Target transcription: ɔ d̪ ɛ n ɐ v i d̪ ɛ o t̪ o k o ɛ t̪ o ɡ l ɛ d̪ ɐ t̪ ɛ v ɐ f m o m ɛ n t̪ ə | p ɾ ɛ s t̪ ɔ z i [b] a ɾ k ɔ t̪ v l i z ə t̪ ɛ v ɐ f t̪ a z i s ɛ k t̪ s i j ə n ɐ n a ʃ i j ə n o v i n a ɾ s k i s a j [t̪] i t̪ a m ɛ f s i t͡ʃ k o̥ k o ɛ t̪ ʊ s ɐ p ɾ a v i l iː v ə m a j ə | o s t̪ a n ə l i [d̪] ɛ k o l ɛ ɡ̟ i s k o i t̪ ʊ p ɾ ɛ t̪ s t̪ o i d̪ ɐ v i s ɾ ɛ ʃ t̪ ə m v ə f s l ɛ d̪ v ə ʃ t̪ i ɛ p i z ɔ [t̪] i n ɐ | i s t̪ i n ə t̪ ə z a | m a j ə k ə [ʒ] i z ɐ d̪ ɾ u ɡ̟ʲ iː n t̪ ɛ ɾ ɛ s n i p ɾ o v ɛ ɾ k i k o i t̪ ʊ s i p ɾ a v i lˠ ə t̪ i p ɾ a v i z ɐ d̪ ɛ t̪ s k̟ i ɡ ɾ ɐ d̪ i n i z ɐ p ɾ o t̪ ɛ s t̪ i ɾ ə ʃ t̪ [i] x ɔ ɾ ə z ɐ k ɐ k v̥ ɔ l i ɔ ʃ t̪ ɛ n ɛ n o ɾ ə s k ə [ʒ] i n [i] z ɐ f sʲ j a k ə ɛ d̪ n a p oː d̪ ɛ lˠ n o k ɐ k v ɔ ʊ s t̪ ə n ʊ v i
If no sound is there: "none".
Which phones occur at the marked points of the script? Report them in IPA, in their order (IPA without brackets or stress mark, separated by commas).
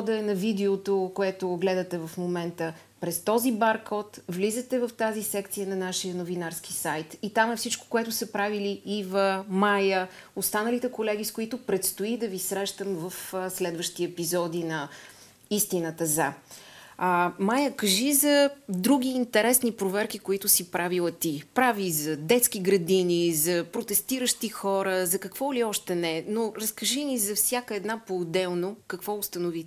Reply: b, t̪, t̪, d̪, ʒ, i, ʒ, i